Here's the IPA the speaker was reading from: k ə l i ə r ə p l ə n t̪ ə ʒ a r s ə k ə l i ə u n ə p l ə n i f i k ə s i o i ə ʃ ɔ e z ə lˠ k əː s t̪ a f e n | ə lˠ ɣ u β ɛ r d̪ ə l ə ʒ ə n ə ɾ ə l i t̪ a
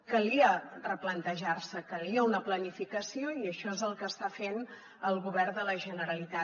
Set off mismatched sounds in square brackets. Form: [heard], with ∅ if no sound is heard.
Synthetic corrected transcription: k ə l i ə r ə p l ə n t̪ ə ʒ a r s ə k ə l i ə u n ə p l ə n i f i k ə s i o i ə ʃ ɔ e z ə lˠ k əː s t̪ a f e n | ə lˠ ɣ u β ɛ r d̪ ə l ə ʒ ə n ə ɾ ə l i t̪ a